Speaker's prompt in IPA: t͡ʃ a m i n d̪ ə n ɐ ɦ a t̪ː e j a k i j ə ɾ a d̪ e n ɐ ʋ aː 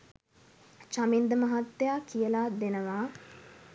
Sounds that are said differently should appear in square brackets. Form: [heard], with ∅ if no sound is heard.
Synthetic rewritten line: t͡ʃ a m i n d̪ ə [m] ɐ ɦ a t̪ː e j a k i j ə [l] a d̪ e n [ə] ʋ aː